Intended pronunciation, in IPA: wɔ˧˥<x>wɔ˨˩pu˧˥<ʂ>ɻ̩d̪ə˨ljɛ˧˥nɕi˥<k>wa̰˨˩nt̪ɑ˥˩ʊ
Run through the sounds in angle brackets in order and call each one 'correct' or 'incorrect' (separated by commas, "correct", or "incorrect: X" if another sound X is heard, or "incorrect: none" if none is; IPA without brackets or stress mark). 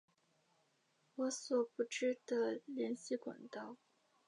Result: incorrect: s, incorrect: ʈ͡ʂ, correct